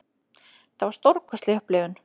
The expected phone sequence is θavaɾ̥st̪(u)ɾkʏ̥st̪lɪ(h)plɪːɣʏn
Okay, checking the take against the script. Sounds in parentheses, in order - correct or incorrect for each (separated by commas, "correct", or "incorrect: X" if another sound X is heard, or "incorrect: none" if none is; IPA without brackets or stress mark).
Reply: incorrect: o, correct